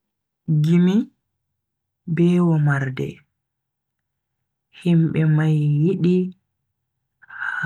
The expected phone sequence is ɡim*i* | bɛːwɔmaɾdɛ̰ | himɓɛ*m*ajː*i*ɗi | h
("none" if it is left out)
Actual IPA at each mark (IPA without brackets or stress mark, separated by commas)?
i, m, i